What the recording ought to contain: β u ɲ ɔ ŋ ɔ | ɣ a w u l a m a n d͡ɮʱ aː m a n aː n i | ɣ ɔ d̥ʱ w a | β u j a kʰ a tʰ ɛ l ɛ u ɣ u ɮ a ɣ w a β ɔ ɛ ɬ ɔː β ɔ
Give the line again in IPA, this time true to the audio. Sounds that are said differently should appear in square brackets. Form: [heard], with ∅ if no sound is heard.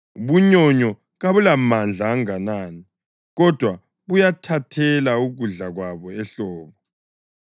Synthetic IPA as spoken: β u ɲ ɔ [ɲ] ɔ | ɣ a [β] u l a m a n d͡ɮʱ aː [ŋ] a n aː n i | ɣ ɔ d̥ʱ w a | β u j a [tʰ] a tʰ ɛ l [a] u ɣ u ɮ a ɣ w a β ɔ ɛ ɬ ɔː β ɔ